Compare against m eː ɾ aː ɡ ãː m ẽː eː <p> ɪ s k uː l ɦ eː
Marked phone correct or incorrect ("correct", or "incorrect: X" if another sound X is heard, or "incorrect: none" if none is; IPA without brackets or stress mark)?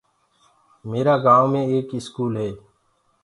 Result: incorrect: k